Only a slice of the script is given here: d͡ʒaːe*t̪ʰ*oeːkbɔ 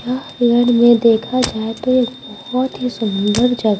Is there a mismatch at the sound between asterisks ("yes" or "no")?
yes